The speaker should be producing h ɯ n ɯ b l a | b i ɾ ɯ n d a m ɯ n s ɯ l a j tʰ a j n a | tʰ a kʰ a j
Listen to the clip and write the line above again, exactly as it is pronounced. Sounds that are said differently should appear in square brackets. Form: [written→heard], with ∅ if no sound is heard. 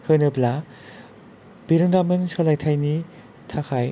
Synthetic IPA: h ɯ n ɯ b l a | b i ɾ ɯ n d a m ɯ n s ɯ l a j tʰ a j n [a→i] | tʰ a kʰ a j